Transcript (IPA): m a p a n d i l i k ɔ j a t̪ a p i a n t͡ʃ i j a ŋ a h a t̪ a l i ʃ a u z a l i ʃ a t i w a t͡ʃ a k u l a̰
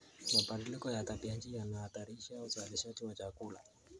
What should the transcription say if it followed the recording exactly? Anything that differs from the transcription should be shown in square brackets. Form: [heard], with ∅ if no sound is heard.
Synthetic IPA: m a p a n d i l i k ɔ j a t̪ a p i a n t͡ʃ i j a [n] a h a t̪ a [ɾ] i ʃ a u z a l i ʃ a t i w a t͡ʃ a k u l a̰